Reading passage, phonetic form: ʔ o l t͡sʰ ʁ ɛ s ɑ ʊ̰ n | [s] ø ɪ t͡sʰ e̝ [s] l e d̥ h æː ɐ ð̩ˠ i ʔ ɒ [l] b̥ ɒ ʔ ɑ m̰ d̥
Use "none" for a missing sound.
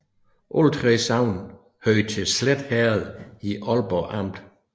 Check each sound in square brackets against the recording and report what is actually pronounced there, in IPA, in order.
h, s, l

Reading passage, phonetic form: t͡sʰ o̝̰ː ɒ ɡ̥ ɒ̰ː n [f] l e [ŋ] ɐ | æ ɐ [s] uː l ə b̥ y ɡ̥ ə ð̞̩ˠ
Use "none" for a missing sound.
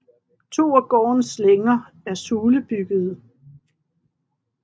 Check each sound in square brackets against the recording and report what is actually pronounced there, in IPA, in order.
s, ŋ, s

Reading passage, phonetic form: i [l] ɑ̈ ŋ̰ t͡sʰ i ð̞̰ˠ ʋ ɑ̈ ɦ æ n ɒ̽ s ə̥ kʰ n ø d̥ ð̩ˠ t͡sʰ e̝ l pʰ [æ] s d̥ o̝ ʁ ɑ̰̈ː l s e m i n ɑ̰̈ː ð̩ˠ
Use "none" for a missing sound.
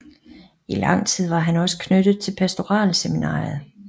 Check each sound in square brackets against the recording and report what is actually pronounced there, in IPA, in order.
l, æ

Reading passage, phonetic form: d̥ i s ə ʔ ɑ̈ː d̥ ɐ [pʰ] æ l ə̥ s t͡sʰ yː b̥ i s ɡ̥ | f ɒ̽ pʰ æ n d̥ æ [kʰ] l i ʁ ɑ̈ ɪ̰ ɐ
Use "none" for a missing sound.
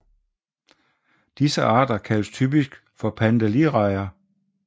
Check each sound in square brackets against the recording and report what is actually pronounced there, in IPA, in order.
kʰ, none

